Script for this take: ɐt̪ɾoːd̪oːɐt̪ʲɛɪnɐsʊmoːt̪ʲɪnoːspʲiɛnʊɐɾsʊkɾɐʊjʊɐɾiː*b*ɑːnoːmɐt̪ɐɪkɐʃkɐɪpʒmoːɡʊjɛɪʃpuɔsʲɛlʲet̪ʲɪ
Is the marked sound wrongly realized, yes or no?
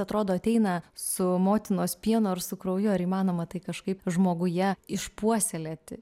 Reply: yes